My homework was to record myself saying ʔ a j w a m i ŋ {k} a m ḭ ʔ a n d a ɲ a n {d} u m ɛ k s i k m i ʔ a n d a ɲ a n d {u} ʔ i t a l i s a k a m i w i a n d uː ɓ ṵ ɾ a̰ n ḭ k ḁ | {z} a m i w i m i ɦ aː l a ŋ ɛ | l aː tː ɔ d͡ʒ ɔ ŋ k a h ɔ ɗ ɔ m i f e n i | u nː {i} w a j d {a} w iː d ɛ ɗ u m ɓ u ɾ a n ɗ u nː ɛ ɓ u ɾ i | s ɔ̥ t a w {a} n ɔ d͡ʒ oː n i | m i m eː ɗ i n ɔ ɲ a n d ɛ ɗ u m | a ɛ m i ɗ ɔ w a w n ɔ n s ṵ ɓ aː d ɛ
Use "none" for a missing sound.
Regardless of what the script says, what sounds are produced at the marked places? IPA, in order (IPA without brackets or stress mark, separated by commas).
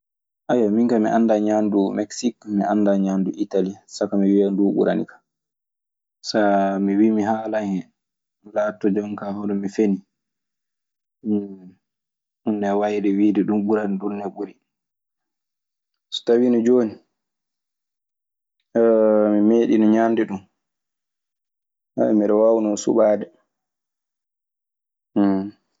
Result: k, d, u, s, ɛ, ɛ, i